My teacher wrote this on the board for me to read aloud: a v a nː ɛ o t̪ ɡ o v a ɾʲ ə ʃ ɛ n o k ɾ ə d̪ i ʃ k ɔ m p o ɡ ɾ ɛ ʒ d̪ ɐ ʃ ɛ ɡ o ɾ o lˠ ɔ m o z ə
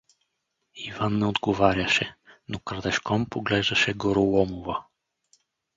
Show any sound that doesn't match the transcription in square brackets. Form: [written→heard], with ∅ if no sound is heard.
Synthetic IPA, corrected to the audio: [a→i] v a nː ɛ o [t̪→d̪] ɡ o v a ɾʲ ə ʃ ɛ n o k ɾ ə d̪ [i→ɛ] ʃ k ɔ m p o ɡ [ɾ→l] ɛ ʒ d̪ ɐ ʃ ɛ ɡ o ɾ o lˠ ɔ m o [z→v] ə